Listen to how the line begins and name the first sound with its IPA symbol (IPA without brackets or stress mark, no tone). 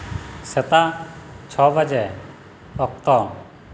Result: s